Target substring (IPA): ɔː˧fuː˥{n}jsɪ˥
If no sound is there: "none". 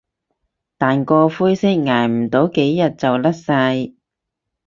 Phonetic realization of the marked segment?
none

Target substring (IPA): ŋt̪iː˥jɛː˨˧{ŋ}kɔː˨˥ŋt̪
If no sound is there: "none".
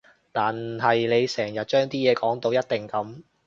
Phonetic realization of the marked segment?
none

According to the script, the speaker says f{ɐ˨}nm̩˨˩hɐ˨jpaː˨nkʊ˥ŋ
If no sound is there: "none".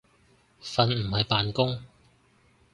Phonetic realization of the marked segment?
ɐ˨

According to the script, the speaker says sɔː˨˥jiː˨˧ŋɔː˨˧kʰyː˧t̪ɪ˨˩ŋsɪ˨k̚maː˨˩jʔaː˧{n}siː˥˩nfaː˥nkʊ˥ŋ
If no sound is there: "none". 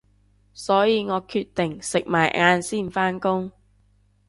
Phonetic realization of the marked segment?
n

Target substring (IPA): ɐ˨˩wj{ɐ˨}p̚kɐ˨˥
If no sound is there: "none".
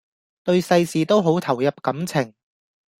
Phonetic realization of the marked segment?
ɐ˨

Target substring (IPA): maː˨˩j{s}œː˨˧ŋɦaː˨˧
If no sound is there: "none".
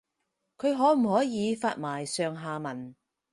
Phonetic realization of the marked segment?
s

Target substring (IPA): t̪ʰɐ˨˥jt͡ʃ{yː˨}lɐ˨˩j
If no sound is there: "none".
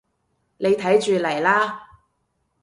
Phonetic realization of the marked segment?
yː˨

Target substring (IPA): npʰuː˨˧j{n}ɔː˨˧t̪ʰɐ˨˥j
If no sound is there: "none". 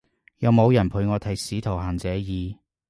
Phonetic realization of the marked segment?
ŋ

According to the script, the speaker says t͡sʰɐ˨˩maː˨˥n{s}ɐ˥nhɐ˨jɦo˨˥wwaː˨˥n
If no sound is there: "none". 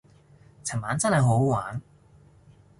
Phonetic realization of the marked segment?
t͡s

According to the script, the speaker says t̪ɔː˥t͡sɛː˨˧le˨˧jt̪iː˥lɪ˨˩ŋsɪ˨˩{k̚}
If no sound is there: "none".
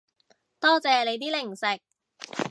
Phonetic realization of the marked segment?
k̚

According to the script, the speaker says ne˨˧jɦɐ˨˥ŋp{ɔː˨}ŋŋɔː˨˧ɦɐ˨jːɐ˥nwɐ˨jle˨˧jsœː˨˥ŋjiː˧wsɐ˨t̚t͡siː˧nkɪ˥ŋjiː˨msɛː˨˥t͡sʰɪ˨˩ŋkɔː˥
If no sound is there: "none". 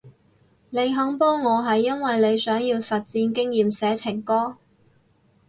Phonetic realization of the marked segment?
ɔː˥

